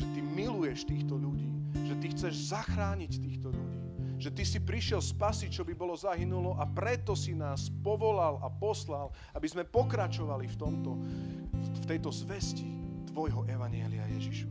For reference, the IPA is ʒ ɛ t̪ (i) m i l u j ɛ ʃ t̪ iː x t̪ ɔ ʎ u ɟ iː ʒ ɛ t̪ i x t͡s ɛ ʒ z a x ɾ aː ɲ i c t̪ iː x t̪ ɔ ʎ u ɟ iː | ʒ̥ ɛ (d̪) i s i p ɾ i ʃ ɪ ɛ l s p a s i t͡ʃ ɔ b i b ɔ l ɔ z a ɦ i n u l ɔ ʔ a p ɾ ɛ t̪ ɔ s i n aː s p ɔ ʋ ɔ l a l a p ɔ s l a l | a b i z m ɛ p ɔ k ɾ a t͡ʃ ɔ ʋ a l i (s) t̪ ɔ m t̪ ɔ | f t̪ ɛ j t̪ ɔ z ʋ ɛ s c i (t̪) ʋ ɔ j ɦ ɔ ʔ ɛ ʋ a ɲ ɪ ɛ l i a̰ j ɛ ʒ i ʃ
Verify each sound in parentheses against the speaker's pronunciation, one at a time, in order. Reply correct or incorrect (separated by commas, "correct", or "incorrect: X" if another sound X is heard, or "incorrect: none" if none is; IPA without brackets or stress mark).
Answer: correct, incorrect: t̪, incorrect: f, correct